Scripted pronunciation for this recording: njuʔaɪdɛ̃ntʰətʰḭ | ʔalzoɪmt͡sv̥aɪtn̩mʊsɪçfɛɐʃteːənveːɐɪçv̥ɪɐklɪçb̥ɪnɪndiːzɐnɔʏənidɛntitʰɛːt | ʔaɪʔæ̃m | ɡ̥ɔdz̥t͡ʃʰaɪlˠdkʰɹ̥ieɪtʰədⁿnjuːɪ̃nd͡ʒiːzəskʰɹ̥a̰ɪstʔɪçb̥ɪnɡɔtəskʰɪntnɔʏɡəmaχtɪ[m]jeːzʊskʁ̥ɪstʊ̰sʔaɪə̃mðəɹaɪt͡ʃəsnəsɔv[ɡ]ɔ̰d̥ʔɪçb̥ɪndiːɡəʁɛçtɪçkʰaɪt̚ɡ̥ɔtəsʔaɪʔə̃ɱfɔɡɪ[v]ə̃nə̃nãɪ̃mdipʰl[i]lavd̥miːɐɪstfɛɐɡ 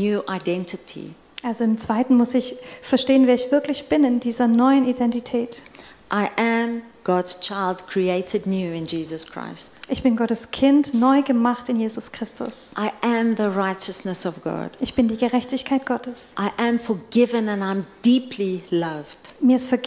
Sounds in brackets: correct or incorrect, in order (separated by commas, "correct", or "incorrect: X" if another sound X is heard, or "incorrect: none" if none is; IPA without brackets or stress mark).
incorrect: n, correct, correct, correct